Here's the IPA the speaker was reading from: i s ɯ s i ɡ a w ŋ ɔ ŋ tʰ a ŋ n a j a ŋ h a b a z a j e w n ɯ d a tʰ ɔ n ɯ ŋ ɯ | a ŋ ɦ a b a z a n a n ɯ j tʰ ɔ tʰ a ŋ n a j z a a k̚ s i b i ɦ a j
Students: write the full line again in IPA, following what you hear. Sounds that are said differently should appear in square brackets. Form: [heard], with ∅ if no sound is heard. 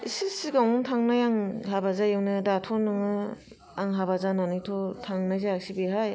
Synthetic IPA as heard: i s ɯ s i ɡ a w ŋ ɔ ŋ tʰ a ŋ n a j a ŋ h a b a z a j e w n ɯ d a tʰ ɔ n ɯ ŋ ɯ | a ŋ ɦ a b a z a n a n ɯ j tʰ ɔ tʰ a ŋ n a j z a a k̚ s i b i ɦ a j